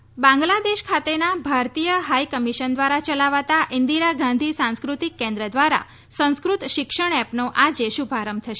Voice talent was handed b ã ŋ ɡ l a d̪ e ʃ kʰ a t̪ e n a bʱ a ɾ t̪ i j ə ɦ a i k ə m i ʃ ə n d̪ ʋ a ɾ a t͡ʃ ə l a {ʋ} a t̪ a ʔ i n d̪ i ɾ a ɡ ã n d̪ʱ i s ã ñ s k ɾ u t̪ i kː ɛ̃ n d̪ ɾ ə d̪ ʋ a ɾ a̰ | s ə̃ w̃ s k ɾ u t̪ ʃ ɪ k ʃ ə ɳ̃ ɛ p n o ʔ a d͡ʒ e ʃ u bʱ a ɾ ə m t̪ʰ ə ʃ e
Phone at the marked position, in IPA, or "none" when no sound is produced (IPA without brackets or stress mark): ʋ